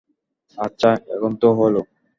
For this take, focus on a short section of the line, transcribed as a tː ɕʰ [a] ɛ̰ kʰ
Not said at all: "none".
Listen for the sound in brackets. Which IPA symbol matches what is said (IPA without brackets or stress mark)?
a